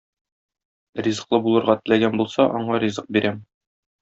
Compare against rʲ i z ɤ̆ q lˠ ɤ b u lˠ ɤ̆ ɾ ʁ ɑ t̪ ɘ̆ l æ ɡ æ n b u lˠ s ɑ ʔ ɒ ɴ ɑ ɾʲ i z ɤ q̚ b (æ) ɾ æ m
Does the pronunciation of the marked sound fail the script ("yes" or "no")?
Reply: yes